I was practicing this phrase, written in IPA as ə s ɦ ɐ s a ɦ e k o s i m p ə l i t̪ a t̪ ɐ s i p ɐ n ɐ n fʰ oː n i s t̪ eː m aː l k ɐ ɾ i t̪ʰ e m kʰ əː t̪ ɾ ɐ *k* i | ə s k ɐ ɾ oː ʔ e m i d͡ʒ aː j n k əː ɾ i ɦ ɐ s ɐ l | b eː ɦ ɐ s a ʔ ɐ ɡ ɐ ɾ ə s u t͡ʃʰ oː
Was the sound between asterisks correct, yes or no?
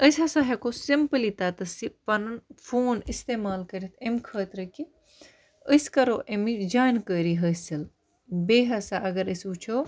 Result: yes